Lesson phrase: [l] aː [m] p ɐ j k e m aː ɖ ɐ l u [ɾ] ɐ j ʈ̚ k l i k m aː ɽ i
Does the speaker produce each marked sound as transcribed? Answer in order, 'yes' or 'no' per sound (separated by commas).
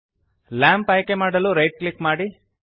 yes, yes, yes